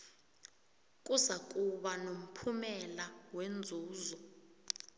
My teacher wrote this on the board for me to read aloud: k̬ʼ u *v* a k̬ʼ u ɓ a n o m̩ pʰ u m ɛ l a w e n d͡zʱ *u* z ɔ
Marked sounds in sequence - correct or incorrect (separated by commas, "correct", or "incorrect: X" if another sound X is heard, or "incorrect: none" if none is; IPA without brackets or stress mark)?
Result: incorrect: z, incorrect: uː